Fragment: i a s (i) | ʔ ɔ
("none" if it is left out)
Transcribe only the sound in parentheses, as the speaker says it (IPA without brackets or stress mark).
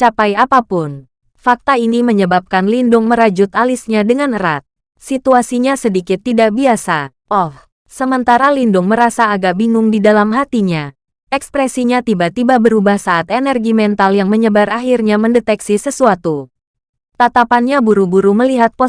a